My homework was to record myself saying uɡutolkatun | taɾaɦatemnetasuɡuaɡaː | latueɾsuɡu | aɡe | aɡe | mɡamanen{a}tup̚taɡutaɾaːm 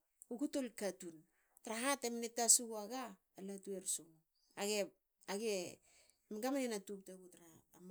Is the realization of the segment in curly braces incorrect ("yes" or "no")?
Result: no